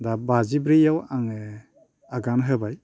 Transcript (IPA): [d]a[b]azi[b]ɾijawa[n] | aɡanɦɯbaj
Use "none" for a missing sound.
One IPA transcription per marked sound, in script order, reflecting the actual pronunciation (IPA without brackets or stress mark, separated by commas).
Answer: d, b, b, ŋ